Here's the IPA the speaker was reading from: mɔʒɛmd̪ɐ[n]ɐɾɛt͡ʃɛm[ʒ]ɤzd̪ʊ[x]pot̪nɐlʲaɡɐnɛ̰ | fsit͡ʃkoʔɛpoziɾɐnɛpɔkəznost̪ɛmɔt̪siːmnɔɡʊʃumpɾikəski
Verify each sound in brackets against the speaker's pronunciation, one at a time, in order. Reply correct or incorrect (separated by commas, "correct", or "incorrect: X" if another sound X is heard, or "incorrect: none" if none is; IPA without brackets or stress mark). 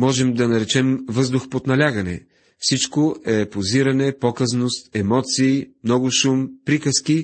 correct, incorrect: v, correct